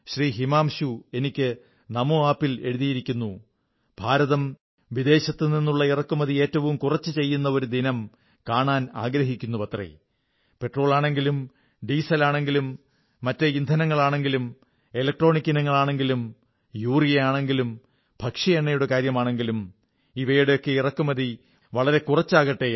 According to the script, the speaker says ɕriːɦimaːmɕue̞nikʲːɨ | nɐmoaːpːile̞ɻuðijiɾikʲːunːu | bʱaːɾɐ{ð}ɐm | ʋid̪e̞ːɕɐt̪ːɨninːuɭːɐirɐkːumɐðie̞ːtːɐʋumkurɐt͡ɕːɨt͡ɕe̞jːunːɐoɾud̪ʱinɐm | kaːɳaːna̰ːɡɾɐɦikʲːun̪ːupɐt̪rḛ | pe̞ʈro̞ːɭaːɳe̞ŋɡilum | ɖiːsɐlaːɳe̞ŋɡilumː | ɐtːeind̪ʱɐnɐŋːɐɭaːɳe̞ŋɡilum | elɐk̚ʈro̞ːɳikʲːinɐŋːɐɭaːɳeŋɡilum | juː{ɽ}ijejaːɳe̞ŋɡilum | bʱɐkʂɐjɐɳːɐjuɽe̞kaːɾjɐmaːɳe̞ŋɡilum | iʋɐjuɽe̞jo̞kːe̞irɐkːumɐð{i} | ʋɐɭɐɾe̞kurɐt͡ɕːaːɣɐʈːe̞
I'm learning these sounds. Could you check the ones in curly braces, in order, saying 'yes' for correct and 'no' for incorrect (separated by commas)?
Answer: yes, no, yes